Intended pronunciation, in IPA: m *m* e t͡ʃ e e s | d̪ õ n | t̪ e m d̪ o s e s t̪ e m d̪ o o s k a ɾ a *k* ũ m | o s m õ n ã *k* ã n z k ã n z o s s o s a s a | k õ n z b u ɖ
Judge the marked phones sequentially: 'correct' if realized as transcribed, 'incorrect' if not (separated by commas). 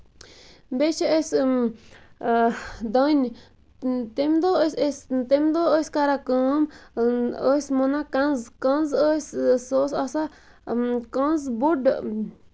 incorrect, correct, correct